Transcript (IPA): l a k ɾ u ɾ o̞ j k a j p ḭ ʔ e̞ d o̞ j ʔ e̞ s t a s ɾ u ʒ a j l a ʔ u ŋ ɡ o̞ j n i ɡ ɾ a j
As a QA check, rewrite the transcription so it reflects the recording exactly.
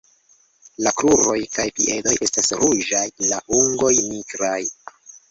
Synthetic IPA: l a k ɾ u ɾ o̞ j k a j p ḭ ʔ e̞ d o̞ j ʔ e̞ s t a s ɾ u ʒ a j l a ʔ u ŋ ɡ o̞ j n i ɡ ɾ a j